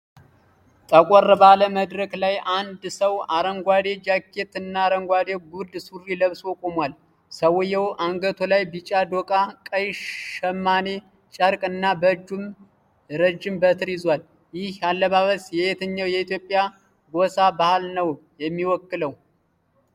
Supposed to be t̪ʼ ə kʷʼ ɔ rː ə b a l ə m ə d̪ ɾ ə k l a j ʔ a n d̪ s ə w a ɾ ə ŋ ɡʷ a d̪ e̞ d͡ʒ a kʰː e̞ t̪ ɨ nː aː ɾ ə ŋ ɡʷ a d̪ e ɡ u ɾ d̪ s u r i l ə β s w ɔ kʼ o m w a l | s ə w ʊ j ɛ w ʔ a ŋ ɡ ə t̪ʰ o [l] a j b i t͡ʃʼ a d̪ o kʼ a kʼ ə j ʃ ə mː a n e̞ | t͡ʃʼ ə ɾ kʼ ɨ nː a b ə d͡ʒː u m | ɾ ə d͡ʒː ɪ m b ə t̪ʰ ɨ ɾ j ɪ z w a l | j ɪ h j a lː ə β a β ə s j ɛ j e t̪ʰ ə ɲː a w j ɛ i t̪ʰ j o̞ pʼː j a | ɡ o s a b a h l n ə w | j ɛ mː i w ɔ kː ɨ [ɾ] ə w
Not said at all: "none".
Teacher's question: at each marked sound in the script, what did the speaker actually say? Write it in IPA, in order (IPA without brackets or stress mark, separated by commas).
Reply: l, l